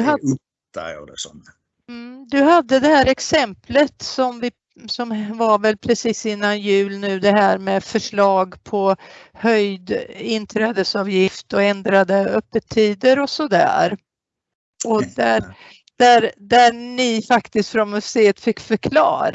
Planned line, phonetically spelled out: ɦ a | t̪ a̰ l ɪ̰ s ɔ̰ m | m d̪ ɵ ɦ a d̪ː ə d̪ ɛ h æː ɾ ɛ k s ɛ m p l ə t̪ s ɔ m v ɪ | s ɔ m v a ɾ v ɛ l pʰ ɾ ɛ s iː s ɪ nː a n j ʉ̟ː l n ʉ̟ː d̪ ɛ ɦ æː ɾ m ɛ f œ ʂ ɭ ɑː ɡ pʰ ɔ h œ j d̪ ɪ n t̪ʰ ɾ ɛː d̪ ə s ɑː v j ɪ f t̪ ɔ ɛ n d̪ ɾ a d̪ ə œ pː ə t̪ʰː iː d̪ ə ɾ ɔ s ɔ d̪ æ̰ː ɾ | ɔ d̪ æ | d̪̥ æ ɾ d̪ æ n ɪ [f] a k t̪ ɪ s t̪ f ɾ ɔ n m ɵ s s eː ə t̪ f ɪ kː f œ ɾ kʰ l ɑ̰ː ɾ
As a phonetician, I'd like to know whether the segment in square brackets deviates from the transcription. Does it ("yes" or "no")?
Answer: no